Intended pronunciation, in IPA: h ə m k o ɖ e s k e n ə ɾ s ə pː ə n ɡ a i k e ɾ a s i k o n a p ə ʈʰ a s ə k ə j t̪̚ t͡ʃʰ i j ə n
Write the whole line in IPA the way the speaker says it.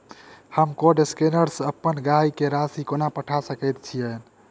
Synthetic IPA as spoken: h ə m k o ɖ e s k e n ə ɾ s ə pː ə n ɡ a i k e ɾ a s i k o n a p ə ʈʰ a s ə k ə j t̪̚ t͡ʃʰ i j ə n